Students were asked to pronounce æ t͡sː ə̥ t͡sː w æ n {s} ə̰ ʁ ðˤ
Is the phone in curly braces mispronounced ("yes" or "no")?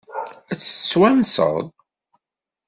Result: no